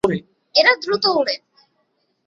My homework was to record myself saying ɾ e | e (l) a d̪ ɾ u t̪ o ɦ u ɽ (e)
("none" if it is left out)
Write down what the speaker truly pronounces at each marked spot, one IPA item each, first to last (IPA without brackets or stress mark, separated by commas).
ɾ, e